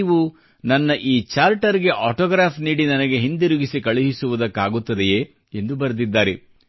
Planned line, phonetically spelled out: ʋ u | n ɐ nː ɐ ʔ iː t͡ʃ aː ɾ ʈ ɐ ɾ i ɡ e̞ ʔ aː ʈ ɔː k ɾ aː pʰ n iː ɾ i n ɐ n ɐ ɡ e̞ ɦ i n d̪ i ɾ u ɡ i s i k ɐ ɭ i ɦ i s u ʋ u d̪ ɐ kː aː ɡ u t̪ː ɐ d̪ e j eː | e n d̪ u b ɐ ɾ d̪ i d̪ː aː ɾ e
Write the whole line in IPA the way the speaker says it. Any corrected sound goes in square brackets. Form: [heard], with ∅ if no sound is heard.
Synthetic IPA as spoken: ʋ u | n ɐ nː ɐ ʔ iː t͡ʃ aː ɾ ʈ ɐ ɾ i ɡ e̞ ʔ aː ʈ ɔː [ɡ] ɾ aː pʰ n iː [ɽ] i n ɐ n ɐ ɡ e̞ ɦ i n d̪ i ɾ u ɡ i s i k ɐ ɭ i ɦ i s u ʋ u d̪ ɐ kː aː ɡ u t̪ː ɐ d̪ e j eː | e n d̪ u b ɐ ɾ d̪ i d̪ː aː ɾ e